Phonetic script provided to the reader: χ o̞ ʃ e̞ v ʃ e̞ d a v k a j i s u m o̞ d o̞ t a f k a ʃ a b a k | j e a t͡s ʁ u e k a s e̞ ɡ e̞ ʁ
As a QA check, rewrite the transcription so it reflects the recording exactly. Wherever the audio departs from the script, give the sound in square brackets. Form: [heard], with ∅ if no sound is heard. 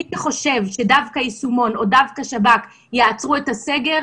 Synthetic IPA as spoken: χ o̞ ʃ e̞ v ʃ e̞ d a v k a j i s u m o̞ [n] o̞ [d] a [v] k a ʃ a b a k | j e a t͡s ʁ u e [t] a s e̞ ɡ e̞ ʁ